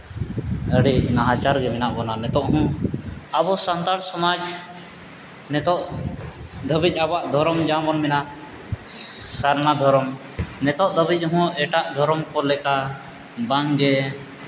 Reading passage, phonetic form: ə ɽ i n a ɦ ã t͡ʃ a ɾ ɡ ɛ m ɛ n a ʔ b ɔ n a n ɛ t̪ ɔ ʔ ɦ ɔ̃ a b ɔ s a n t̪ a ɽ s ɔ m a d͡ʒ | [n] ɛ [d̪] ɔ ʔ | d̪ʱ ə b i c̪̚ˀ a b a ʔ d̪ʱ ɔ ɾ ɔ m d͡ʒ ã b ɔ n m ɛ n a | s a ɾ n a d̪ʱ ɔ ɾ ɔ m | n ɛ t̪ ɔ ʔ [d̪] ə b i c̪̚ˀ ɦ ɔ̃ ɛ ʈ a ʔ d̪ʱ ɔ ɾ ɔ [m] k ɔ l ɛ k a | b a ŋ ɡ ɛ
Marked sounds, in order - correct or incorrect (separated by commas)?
correct, incorrect, correct, correct